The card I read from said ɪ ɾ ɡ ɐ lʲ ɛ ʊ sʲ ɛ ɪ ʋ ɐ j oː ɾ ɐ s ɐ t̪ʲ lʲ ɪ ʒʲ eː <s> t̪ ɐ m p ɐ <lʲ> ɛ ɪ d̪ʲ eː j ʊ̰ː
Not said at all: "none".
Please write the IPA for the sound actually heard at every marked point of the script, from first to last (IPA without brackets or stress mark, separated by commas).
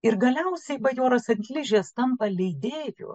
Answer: s, lʲ